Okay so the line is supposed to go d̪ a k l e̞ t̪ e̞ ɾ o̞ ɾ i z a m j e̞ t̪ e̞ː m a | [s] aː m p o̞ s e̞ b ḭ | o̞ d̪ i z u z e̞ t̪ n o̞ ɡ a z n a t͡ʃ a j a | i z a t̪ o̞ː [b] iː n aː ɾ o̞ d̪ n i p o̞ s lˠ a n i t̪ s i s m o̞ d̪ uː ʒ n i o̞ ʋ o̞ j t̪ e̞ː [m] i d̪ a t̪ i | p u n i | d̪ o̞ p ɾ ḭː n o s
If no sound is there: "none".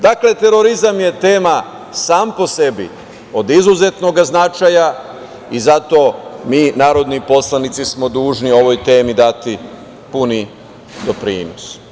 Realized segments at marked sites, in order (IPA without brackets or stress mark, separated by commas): s, m, m